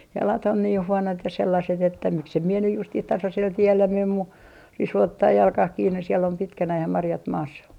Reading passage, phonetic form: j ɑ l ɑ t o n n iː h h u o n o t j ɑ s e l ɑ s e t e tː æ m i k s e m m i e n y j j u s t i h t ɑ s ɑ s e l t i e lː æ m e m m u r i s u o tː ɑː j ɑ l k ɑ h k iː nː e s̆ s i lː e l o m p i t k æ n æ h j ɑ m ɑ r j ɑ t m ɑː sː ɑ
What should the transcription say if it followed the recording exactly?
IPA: j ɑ l ɑ t o n n iː h h u o n o t j ɑ s e lː ɑ s e t e tː æ m i k s e m m i e n y j j u s t i h t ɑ s ɑ s e l t i e lː æ m e m m u r i s u o tː ɑː j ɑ l k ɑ h k iː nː e s̆ s i e l o m p i t k æ n æ h j ɑ m ɑ r j ɑ t m ɑː sː ɑ